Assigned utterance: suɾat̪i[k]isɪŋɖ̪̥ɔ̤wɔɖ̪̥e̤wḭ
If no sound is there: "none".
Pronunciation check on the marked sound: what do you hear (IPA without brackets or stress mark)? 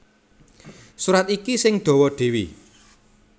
k